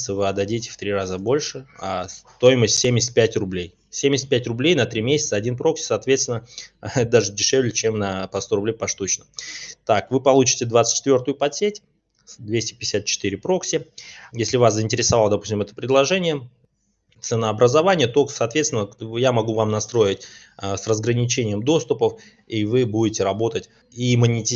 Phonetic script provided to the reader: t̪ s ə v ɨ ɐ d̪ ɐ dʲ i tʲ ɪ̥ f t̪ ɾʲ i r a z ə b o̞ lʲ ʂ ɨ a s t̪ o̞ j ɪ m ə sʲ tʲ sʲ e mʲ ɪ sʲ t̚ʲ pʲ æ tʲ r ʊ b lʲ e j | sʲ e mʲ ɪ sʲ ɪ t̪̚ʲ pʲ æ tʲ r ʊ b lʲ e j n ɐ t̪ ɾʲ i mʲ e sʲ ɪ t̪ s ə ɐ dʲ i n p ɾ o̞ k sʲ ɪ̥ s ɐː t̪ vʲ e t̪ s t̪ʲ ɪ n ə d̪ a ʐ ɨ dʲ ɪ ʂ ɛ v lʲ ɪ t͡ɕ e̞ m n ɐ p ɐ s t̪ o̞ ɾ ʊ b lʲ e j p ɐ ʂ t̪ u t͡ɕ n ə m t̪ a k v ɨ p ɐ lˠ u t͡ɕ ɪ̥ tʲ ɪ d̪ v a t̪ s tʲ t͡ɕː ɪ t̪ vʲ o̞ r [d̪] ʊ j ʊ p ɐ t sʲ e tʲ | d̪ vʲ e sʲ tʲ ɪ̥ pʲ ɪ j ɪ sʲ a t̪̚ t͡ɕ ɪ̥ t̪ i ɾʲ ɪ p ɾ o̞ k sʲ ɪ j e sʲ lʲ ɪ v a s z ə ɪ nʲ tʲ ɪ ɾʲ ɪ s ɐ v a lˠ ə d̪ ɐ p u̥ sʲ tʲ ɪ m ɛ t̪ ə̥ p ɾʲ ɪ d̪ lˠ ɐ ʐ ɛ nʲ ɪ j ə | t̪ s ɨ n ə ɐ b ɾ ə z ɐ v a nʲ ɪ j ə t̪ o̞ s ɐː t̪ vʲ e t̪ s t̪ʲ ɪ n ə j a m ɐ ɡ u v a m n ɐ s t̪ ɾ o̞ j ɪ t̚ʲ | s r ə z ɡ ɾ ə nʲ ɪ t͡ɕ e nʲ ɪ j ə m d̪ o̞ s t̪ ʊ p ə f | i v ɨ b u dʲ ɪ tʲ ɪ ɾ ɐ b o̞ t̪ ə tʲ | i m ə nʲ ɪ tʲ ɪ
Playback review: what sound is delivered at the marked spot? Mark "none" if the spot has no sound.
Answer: t̪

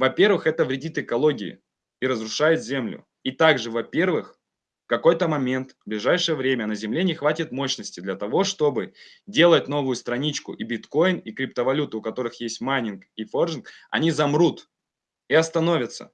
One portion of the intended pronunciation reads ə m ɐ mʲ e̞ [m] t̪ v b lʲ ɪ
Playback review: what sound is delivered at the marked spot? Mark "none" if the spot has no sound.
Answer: n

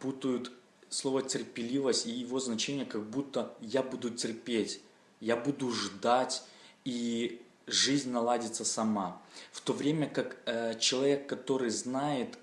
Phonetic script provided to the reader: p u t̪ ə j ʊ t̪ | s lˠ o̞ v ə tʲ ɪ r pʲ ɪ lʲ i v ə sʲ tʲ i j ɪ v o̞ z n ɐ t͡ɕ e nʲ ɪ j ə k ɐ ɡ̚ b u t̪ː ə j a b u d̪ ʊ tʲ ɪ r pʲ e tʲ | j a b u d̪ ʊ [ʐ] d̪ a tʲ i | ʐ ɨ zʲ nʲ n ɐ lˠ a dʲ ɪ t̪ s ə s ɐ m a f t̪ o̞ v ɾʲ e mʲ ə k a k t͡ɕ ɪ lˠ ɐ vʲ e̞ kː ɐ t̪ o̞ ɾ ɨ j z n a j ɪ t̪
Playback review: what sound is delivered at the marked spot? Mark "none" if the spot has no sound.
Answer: ʐ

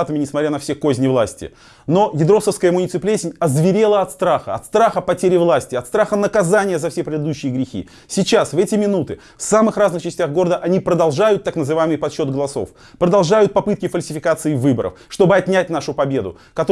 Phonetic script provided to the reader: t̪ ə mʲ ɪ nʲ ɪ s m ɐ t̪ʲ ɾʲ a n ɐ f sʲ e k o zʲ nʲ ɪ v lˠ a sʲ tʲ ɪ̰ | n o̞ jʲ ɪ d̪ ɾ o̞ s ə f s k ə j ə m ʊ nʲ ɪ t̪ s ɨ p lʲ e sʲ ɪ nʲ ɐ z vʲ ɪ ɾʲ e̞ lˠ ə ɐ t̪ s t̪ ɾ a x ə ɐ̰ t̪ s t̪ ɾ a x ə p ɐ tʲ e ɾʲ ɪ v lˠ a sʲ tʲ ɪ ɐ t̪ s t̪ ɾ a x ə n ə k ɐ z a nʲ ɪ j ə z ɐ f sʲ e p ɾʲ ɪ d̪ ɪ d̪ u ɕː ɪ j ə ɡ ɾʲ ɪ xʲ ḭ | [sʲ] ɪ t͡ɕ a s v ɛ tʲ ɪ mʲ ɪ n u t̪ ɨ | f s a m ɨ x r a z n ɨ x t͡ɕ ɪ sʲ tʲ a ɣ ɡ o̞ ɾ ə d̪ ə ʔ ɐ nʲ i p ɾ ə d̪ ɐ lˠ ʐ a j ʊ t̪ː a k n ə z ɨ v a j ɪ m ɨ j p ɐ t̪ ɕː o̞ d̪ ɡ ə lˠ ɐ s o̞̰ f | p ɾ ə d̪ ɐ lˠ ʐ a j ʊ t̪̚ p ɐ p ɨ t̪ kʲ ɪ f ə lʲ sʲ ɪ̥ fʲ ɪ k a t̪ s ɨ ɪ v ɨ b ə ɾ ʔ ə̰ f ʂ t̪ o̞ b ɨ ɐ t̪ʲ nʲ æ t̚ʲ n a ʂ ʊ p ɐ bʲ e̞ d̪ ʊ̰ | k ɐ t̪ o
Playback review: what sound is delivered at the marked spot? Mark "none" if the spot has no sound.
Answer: sʲ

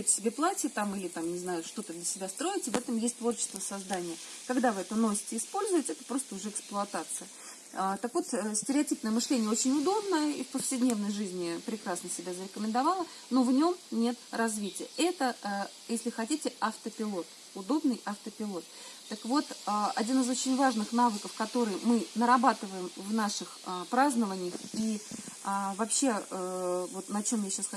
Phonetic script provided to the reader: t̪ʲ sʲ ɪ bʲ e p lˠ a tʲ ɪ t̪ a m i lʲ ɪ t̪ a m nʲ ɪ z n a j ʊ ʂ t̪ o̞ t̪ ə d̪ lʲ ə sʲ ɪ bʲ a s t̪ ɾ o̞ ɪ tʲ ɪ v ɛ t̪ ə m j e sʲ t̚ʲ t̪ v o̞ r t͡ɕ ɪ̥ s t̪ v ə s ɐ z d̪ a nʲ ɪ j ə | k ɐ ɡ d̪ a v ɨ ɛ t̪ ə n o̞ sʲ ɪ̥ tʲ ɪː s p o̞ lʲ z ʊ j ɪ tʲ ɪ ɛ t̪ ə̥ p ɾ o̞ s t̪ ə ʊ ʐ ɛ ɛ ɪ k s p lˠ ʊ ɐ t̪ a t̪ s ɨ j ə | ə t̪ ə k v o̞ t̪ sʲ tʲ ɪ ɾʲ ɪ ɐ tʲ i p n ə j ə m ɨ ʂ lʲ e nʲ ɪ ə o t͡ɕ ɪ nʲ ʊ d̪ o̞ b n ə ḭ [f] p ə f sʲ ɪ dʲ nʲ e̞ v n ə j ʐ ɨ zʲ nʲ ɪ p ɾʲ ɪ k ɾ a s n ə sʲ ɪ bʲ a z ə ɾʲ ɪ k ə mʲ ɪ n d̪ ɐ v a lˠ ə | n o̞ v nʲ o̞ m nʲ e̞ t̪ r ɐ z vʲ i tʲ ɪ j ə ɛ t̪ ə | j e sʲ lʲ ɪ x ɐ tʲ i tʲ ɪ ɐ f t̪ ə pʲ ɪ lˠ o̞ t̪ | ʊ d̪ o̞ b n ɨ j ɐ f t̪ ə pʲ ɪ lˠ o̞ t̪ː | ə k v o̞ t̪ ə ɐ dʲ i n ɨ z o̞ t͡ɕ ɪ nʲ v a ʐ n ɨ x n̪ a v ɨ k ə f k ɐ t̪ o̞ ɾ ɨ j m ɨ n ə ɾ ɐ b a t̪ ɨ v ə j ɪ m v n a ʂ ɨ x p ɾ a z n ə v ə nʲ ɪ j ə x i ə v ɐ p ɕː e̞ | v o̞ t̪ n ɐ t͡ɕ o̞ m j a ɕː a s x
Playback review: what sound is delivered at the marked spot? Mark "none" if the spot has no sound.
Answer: f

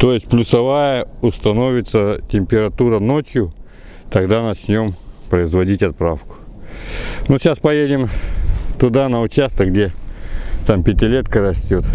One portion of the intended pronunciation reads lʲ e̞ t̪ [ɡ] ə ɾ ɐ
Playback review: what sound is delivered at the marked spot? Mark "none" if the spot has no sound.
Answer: k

